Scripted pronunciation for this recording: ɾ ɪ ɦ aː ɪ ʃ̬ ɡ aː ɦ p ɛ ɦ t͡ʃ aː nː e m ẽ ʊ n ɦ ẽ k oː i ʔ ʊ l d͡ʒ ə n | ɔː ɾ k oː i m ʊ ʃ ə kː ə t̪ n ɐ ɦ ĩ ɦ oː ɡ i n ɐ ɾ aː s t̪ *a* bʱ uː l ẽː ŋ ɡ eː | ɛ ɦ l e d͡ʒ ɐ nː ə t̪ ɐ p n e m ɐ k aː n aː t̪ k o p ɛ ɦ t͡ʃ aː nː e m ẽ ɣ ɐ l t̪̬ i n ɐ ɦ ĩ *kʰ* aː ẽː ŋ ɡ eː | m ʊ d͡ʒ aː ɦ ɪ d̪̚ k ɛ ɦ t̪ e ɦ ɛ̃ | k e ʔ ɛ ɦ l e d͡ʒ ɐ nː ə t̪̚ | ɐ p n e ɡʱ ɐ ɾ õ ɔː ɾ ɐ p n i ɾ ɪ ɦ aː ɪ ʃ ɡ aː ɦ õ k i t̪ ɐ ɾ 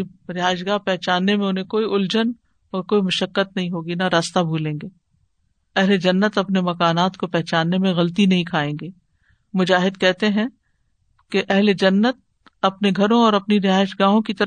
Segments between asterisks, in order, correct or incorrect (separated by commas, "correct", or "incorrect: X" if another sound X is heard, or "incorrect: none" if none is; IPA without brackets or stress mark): correct, correct